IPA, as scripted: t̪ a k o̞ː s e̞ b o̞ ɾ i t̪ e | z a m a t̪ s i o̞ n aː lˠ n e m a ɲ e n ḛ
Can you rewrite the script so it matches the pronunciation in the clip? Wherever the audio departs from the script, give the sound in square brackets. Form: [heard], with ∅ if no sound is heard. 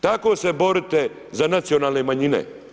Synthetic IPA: t̪ a k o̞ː s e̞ b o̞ ɾ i t̪ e | z a [n] a t̪ s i o̞ n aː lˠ n e m a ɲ [i] n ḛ